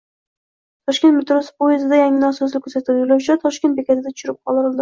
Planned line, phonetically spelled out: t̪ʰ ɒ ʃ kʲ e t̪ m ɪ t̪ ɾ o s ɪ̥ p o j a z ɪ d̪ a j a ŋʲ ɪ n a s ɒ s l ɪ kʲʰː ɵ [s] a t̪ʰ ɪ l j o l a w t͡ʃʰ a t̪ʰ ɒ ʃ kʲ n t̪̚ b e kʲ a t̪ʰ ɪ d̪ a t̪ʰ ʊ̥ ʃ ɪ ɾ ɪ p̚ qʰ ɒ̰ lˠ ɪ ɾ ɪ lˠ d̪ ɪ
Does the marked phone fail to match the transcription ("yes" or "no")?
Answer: no